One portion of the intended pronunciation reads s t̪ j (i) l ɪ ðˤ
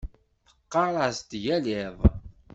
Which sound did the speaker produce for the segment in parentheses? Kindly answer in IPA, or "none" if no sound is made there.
æ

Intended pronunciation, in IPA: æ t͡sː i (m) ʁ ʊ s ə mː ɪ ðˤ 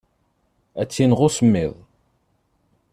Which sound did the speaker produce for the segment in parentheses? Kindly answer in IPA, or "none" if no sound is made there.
n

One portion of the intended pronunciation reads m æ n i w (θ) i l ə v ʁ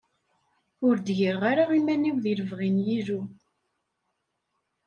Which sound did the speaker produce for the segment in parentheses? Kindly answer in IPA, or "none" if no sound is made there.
ð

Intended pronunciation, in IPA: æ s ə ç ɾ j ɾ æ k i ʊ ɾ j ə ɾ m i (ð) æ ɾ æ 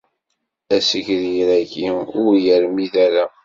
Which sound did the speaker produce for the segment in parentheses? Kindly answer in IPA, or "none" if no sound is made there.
ð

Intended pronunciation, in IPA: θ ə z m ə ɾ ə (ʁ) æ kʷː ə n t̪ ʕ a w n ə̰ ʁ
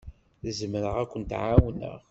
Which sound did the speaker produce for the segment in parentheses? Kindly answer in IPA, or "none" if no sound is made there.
ʁ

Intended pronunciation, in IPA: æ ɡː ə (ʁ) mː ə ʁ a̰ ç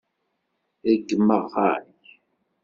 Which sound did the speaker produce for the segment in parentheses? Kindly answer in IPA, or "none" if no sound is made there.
none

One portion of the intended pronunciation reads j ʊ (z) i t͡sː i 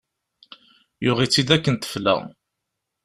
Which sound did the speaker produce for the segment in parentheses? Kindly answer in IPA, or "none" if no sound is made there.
ʁ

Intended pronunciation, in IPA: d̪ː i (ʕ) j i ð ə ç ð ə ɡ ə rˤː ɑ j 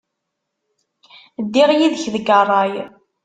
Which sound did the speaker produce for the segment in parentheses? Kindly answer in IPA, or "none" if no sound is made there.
ʁ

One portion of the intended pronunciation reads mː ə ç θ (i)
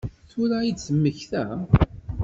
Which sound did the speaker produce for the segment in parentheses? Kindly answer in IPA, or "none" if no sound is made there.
æ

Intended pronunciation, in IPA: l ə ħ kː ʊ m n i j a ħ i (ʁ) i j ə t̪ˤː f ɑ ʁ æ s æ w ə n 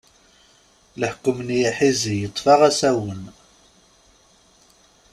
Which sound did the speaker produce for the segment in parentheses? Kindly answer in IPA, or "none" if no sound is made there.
z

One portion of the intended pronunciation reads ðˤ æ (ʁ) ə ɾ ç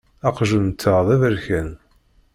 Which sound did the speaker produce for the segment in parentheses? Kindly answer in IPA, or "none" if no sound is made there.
v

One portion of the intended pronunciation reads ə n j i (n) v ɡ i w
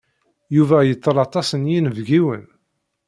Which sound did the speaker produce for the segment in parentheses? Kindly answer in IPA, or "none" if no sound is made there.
n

